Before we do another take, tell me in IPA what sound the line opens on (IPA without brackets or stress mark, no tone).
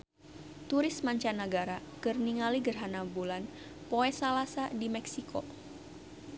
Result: t̪